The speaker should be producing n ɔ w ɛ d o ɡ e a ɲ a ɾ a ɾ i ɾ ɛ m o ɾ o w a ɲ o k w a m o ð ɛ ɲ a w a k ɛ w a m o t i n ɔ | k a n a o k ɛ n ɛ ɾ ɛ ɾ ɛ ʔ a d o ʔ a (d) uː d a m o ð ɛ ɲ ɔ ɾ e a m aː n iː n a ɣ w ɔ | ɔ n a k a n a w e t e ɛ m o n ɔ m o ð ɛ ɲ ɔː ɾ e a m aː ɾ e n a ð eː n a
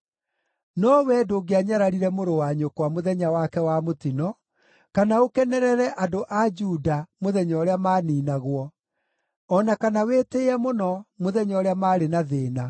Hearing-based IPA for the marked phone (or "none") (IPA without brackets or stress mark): d͡ʒ